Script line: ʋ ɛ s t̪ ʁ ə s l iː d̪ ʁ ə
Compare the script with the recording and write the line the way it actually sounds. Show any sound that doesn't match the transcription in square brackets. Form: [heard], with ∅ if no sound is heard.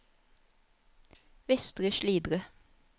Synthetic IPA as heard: ʋ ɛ s t̪ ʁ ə [ʃ] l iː d̪ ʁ ə